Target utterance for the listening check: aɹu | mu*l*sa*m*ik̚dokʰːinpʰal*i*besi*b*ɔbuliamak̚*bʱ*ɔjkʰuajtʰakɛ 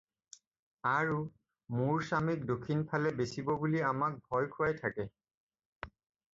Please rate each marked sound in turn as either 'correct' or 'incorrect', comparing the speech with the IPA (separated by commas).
incorrect, correct, incorrect, correct, correct